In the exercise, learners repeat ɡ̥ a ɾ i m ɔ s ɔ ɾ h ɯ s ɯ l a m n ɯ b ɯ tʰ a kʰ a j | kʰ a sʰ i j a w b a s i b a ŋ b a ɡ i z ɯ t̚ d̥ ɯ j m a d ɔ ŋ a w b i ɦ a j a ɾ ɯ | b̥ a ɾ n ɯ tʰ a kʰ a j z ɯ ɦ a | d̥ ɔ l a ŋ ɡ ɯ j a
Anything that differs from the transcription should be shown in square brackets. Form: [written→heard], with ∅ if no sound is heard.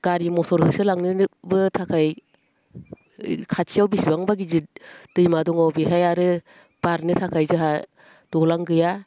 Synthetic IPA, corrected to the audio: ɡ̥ a ɾ i m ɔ s ɔ ɾ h ɯ s ɯ l a [m→ŋ] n ɯ b ɯ tʰ a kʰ a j | kʰ a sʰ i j a w b [a→i] s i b a ŋ b a ɡ i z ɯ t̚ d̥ ɯ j m a d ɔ ŋ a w b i ɦ a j a ɾ ɯ | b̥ a ɾ n ɯ tʰ a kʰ a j z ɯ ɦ a | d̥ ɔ l a ŋ ɡ ɯ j a